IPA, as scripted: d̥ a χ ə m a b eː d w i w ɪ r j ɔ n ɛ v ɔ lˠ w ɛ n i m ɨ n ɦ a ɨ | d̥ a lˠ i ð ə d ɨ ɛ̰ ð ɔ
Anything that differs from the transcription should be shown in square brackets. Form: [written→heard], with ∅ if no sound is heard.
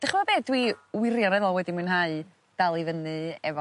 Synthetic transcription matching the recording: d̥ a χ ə m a b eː d w i w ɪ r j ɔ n ɛ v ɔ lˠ w ɛ [n→d] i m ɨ n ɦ a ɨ | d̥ a lˠ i [ð→v] ə [d→n] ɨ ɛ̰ [ð→v] ɔ

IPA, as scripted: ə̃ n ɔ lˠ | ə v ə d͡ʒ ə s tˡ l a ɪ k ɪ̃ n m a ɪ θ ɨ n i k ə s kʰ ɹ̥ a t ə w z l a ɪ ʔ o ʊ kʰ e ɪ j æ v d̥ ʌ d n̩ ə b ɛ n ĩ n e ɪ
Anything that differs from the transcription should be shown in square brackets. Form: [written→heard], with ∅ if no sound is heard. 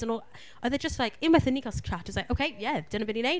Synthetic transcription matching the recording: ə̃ n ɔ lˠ | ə [v→ð] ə d͡ʒ [ə→ʌ] s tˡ l a ɪ k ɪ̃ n m a ɪ θ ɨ n i k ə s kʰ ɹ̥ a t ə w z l a ɪ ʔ o ʊ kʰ e ɪ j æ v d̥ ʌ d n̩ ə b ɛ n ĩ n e ɪ

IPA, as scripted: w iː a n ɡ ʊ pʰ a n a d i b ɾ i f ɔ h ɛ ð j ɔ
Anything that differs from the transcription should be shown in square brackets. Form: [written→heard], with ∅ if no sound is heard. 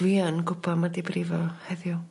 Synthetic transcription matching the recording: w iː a n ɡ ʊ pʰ a [n→m] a d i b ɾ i [f→v] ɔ h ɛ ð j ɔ

